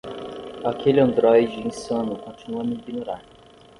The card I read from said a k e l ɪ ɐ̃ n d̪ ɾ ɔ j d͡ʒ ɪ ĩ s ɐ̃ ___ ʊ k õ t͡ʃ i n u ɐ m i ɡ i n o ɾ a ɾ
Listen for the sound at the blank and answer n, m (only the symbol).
n